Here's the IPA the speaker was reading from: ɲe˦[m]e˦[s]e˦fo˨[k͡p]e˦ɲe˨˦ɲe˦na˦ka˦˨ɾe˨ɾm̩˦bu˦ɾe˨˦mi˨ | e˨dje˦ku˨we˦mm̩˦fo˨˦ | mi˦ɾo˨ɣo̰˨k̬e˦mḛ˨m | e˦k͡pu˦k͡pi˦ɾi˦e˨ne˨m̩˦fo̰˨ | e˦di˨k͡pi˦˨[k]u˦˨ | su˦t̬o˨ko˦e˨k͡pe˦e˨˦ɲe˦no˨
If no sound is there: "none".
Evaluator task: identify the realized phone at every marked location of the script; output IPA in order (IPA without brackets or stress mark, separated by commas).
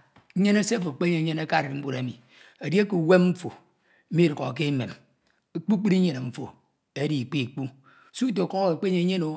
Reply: n, s, k͡p, k͡p